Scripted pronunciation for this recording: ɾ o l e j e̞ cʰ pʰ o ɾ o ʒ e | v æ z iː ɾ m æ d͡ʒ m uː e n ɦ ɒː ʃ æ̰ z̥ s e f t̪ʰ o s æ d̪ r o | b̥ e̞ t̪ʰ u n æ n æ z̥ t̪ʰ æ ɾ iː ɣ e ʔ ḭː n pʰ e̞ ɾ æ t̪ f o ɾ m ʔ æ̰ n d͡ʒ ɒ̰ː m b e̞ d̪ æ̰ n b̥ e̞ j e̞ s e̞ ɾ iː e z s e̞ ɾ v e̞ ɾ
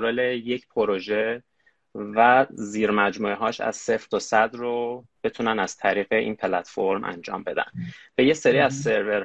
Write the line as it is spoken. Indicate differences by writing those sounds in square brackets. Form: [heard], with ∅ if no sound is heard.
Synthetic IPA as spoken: ɾ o l e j e̞ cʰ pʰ o ɾ o ʒ e | v æ z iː ɾ m æ d͡ʒ m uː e [∅] ɦ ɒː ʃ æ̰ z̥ s e f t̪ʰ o s æ d̪ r o | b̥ e̞ t̪ʰ u n æ n æ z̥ t̪ʰ æ ɾ iː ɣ e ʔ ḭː n pʰ e̞ [l] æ t̪ f o ɾ m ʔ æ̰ n d͡ʒ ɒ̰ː m b e̞ d̪ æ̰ n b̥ e̞ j e̞ s e̞ ɾ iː [æ] z s e̞ ɾ v e̞ ɾ